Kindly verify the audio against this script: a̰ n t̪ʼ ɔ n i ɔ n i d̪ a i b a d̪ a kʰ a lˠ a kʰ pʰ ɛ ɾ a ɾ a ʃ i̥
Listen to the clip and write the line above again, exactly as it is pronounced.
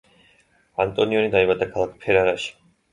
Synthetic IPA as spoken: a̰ n t̪ʼ ɔ n i ɔ n i d̪ a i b a d̪ a kʰ a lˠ a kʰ pʰ ɛ ɾ a ɾ a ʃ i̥

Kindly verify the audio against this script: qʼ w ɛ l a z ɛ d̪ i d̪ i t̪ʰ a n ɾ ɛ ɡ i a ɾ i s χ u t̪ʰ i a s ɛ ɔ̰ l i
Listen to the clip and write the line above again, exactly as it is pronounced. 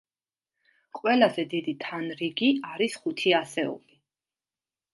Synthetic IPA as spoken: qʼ w ɛ l a z ɛ d̪ i d̪ i t̪ʰ a n ɾ i ɡ i a ɾ i s χ u t̪ʰ i a s ɛ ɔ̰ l i

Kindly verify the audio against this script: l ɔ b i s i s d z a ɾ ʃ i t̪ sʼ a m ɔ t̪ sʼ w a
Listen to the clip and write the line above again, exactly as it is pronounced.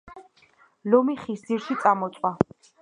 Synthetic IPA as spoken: l ɔ m i χ i s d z i ɾ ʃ i t̪ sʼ a m ɔ t̪ sʼ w a

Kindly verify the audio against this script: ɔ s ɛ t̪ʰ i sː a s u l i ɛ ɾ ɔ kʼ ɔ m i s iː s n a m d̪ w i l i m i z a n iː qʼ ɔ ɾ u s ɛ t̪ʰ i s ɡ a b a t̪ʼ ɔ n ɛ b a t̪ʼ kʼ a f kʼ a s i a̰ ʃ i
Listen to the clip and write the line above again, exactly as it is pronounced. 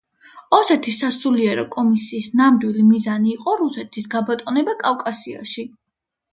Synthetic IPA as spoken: ɔ s ɛ t̪ʰ i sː a s u l i ɛ ɾ ɔ kʼ ɔ m i s iː s n a m d̪ w i l i m i z a n iː qʼ ɔ ɾ u s ɛ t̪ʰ i s ɡ a b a t̪ʼ ɔ n ɛ b a kʼ a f kʼ a s i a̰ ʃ i

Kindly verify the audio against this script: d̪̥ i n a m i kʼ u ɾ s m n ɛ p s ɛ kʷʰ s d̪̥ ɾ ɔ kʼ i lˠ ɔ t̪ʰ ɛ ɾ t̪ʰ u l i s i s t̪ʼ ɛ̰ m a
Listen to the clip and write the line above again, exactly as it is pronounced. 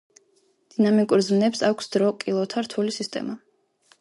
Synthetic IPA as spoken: d̪̥ i n a m i kʼ u ɾ z m n ɛ p s a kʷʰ s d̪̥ ɾ ɔ kʼ i lˠ ɔ t̪ʰ a ɾ t̪ʰ u l i s i s t̪ʼ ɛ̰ m a

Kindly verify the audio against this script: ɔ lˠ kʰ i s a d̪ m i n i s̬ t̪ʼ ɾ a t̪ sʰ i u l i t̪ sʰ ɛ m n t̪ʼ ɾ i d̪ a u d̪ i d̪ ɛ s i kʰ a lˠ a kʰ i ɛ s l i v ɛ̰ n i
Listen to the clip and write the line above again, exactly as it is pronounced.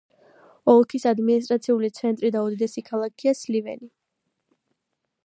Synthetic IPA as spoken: ɔ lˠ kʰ i s a d̪ m i n i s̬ t̪ʼ ɾ a t̪ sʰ i u l i t̪ sʰ ɛ n t̪ʼ ɾ i d̪ a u d̪ i d̪ ɛ s i kʰ a lˠ a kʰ i a s l i v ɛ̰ n i

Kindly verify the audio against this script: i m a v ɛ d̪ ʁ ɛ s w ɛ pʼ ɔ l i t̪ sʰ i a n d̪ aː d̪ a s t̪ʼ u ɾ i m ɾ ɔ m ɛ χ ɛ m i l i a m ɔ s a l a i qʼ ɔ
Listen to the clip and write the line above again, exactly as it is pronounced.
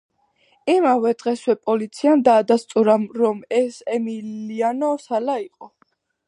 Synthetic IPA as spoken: i m a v ɛ d̪ ʁ ɛ s w ɛ pʼ ɔ l i t̪ sʰ i a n d̪ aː d̪ a s t̪ʼ u ɾ a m ɾ ɔ m ɛ s ɛ m i l i a n ɔ s a l a i qʼ ɔ

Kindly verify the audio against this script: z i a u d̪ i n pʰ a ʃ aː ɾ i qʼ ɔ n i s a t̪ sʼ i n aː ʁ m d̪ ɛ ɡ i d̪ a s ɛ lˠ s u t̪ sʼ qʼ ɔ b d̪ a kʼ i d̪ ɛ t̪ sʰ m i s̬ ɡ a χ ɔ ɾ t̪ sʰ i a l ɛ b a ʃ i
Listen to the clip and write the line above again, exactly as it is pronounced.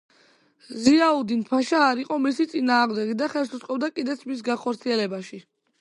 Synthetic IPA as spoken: z i a u d̪ i n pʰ a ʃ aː ɾ i qʼ ɔ m i s i t̪ sʼ i n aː ʁ m d̪ ɛ ɡ i d̪ a χ ɛ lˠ s u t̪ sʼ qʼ ɔ b d̪ a kʼ i d̪ ɛ t̪ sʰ m i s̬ ɡ a χ ɔ ɾ t̪ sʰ i ɛ l ɛ b a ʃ i

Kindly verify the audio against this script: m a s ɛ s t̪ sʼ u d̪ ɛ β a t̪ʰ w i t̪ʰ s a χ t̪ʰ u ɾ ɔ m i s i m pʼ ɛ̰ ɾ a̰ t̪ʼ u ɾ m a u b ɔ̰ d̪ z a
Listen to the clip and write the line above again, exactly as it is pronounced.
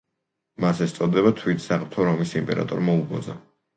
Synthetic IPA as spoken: m a s ɛ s t̪ sʼ ɔ d̪ ɛ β a t̪ʰ w i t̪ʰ s a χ t̪ʰ ɔ ɾ ɔ m i s i m pʼ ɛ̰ ɾ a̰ t̪ʼ ɔ ɾ m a u b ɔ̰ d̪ z a

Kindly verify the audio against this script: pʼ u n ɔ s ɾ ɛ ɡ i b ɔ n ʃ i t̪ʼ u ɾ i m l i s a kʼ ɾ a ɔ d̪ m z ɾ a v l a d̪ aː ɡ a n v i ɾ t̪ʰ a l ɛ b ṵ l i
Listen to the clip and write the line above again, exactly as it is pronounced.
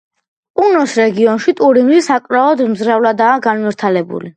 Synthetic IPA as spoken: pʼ u n ɔ s ɾ ɛ ɡ i ɔ n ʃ i t̪ʼ u ɾ i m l i s a kʼ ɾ a ɔ d̪ m z ɾ a v l a d̪ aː ɡ a n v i ɾ t̪ʰ a l ɛ b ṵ l i

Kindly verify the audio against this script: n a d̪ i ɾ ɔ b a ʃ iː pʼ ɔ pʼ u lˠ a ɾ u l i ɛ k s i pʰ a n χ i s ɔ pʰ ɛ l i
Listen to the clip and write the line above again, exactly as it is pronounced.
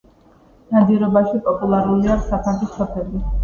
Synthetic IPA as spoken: n a d̪ i ɾ ɔ b a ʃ i pʼ ɔ pʼ u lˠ a ɾ u l i a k s a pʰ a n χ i s ɔ pʰ ɛ l i

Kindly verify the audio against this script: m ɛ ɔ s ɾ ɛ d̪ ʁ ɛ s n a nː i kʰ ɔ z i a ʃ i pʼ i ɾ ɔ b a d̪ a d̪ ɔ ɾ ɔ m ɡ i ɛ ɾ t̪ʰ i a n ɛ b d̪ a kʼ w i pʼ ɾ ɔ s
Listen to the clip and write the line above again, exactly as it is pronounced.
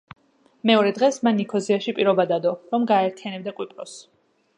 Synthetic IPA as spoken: m ɛ ɔ ɾ ɛ d̪ ʁ ɛ s m a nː i kʰ ɔ z i a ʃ i pʼ i ɾ ɔ b a d̪ a d̪ ɔ ɾ ɔ m ɡ a ɛ ɾ t̪ʰ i a n ɛ b d̪ a kʼ w i pʼ ɾ ɔ s

